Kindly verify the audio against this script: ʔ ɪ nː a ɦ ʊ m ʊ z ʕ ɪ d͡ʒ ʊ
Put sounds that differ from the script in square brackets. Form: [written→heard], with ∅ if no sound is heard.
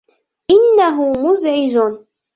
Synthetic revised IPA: ʔ ɪ nː a ɦ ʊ m ʊ z ʕ ɪ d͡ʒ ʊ

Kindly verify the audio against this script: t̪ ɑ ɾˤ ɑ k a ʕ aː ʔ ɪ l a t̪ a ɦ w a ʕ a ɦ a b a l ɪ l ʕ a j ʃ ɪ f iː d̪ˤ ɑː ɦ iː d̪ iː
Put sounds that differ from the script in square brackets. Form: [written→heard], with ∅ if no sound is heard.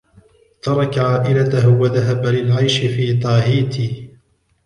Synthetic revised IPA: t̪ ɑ ɾˤ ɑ k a ʕ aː ʔ ɪ l a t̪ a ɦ w a [ʕ→ð] a ɦ a b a l ɪ l ʕ a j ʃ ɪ f iː [d̪ˤ→t̪ˤ] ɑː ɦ iː [d̪→t̪] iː

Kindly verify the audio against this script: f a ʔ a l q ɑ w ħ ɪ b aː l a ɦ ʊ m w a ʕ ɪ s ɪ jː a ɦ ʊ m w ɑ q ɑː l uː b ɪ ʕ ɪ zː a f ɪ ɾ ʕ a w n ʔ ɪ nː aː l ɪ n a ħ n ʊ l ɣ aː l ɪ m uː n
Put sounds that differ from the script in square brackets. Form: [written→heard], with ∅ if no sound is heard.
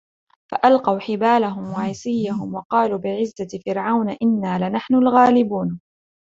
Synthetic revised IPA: f a ʔ a l q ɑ w ħ ɪ b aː l a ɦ ʊ m w a ʕ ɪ s ɪ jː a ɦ ʊ m w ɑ q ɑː l uː b ɪ ʕ ɪ zː a f ɪ ɾ ʕ a w n ʔ ɪ nː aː l ɪ n a ħ n ʊ l ɣ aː l ɪ [m→b] uː n

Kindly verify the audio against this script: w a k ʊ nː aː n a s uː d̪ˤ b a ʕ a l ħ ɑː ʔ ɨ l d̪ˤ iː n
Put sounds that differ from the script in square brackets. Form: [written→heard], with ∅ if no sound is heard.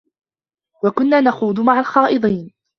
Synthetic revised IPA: w a k ʊ nː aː n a [s→x] uː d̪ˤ [b→m] a ʕ a l [ħ→x] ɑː ʔ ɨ [l→∅] d̪ˤ iː n

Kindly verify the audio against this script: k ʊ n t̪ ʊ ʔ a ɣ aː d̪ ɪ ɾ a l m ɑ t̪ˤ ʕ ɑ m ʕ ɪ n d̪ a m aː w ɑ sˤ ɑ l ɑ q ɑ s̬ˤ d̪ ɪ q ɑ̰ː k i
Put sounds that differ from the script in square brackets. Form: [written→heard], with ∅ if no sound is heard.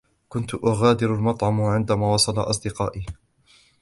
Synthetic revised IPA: k ʊ n t̪ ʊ ʔ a ɣ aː d̪ ɪ ɾ a l m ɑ t̪ˤ ʕ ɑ m ʕ ɪ n d̪ a m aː w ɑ sˤ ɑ l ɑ [q→ʔ] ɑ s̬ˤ d̪ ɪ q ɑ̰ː [k→ʔ] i

